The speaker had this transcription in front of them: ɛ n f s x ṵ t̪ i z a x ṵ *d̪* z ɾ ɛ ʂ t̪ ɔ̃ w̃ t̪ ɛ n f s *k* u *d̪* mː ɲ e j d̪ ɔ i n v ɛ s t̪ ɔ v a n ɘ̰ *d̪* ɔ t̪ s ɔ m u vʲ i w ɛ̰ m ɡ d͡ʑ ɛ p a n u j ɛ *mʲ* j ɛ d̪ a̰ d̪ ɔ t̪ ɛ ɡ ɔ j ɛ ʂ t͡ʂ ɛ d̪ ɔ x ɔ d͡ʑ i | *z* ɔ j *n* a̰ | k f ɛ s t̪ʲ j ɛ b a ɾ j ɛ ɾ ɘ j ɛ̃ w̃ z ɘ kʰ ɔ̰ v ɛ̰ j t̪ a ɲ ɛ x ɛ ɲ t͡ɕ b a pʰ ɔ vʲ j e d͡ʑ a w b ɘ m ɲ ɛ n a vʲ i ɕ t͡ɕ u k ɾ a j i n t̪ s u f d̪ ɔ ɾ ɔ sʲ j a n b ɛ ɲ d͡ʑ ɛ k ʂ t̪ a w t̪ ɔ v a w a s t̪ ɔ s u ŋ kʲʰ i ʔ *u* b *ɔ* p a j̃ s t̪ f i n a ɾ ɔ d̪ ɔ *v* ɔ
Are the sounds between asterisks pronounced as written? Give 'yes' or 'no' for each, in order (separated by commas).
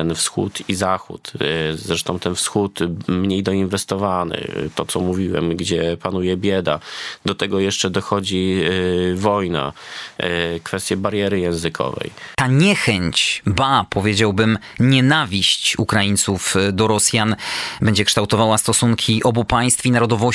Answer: no, no, no, no, no, no, yes, no, no, yes